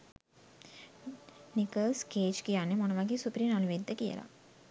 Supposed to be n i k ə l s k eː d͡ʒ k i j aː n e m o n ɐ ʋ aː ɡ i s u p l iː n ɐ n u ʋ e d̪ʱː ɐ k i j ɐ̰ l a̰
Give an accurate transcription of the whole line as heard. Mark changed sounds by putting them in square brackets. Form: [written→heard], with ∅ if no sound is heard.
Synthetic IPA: n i k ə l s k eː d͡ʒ k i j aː n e m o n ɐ ʋ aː ɡ i s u p [l→ɾ] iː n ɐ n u ʋ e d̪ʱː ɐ k i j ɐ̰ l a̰